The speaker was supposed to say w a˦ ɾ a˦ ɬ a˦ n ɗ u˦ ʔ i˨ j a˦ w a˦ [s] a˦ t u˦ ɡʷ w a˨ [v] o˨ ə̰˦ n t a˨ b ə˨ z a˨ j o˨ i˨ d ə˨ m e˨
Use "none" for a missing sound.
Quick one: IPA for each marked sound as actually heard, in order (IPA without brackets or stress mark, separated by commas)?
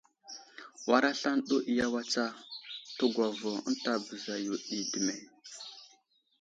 t͡s, v